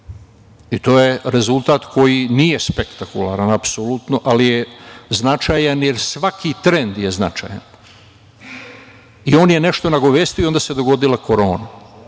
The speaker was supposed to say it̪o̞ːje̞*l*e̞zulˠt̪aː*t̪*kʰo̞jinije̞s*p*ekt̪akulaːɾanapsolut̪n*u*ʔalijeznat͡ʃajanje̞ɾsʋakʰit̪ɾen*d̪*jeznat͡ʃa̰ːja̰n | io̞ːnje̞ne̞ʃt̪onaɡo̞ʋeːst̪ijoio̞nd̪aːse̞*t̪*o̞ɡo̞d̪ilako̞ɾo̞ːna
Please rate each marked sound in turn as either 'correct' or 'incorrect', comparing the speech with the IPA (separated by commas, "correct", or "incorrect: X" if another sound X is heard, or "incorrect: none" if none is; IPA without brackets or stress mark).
incorrect: ɾ, correct, correct, incorrect: o, correct, incorrect: d̪